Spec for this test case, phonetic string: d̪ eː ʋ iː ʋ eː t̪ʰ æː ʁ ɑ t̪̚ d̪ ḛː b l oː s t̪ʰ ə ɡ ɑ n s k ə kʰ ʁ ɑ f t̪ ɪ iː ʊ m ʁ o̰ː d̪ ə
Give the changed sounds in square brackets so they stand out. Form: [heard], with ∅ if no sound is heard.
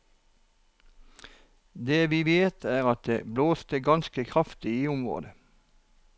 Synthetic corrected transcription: d̪ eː ʋ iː ʋ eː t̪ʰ æː ʁ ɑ t̪̚ d̪ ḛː b l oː s [t̪] ə ɡ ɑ n s k ə kʰ ʁ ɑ f t̪ ɪ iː ʊ m ʁ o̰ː d̪ ə